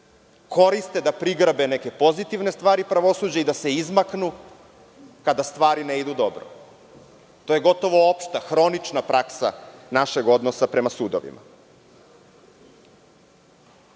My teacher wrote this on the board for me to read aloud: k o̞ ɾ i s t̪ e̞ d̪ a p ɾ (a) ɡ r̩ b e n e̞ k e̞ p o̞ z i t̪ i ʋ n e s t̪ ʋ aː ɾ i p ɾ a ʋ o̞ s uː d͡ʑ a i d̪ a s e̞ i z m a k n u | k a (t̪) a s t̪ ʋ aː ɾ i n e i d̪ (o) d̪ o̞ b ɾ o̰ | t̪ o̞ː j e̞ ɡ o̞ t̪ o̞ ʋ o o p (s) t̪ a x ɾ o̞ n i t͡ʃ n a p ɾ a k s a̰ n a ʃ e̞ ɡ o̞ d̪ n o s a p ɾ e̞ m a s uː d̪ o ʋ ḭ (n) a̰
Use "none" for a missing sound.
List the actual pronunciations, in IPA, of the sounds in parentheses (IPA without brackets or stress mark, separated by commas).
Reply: i, d̪, u, ʃ, m